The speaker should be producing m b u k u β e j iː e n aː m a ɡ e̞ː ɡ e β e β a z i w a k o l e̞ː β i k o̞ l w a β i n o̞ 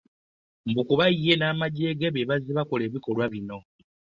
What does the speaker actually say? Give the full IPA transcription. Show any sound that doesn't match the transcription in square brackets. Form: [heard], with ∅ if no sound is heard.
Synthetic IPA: m b u k u β [a] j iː e n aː m a [ɟ] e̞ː ɡ e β e β a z i [β] a k o l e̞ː β i k o̞ l w a β i n o̞